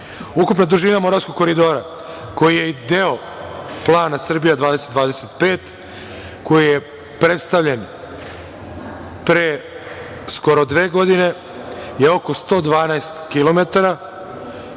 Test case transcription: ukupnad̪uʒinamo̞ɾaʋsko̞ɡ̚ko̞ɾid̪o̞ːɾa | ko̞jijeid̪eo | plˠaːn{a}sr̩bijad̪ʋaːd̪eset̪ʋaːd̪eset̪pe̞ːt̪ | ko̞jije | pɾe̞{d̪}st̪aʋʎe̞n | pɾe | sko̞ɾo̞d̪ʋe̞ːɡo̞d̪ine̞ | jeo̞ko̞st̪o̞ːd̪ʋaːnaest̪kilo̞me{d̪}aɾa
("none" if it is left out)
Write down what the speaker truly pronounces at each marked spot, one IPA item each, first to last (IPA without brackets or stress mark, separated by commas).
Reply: a, t̪, t̪